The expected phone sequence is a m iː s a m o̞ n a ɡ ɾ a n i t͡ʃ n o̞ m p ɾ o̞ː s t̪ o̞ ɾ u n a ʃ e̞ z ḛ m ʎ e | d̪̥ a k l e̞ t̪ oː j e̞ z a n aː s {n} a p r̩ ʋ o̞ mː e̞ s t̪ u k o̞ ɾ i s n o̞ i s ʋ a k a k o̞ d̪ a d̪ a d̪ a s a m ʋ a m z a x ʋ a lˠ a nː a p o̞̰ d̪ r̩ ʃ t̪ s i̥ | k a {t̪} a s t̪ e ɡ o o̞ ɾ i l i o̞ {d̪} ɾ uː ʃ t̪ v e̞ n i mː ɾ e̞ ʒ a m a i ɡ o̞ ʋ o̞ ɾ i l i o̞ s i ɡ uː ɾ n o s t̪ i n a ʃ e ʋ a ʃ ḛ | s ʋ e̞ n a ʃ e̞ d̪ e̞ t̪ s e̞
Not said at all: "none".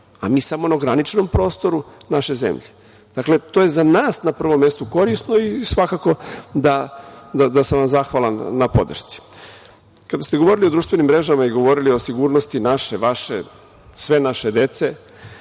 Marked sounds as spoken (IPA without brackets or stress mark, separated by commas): n, d̪, d̪